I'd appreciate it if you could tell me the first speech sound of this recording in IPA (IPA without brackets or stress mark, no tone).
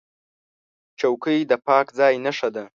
t͡ʃ